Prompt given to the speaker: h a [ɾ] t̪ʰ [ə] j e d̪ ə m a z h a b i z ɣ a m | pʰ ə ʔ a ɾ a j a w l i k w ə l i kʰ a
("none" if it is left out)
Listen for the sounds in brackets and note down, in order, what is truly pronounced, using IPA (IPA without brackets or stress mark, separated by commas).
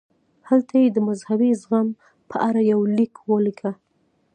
l, a